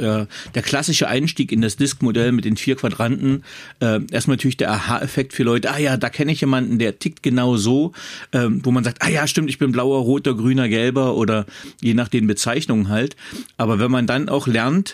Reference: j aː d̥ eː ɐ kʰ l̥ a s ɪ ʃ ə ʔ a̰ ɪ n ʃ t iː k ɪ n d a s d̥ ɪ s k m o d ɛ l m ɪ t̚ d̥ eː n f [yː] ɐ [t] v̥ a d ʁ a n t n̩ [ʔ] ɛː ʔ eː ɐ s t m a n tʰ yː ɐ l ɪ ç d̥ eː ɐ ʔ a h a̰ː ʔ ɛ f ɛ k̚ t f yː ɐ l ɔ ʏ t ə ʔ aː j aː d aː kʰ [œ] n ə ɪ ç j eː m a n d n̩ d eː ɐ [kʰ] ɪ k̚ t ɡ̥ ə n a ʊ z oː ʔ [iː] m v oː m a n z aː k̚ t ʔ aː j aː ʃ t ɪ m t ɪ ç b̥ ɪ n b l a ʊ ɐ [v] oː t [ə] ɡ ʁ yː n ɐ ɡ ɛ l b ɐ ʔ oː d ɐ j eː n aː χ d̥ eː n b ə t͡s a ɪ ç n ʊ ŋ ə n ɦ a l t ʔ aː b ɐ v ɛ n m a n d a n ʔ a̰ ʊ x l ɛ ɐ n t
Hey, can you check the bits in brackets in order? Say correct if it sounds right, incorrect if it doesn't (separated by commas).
incorrect, incorrect, correct, incorrect, incorrect, incorrect, incorrect, incorrect